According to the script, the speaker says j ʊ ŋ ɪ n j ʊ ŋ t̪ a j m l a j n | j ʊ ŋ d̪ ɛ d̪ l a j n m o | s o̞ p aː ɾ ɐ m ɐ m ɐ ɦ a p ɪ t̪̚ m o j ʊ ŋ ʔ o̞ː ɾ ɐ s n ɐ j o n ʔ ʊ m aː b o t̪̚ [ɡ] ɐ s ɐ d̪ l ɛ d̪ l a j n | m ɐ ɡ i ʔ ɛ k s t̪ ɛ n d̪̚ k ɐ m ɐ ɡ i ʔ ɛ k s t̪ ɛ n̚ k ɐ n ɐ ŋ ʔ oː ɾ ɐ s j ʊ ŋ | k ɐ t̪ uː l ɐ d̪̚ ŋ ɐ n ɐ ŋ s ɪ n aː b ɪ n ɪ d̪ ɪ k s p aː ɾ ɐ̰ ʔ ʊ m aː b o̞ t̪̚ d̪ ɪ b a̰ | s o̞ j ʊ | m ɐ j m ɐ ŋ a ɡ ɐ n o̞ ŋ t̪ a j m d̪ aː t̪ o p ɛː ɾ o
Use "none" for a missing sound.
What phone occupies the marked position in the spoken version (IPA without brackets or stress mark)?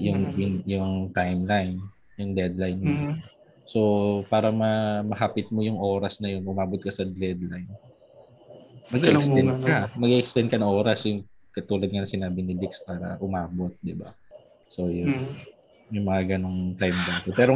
k